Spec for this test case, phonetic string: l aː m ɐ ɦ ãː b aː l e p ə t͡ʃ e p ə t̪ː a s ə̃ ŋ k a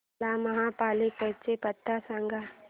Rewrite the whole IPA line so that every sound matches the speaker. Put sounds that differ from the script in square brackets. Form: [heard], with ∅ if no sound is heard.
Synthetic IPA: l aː m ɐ ɦ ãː [p] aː l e [k] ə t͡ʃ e p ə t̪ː a s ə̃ ŋ [ɡ] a